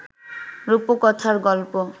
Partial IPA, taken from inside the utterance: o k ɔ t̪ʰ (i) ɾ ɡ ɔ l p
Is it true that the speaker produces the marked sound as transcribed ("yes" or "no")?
no